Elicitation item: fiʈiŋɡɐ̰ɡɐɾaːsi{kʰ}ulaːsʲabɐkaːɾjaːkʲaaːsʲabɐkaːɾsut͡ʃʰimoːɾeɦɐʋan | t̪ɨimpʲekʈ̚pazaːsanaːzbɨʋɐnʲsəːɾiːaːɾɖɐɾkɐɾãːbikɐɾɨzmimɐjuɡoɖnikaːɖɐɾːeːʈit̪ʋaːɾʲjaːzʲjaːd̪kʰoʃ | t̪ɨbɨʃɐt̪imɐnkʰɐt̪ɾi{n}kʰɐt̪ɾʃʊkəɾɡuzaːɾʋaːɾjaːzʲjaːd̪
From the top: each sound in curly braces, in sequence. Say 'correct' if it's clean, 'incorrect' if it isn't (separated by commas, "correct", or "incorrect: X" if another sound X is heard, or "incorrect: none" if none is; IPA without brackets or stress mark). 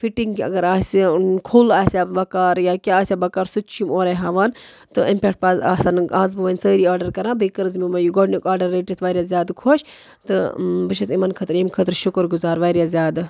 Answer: correct, incorrect: m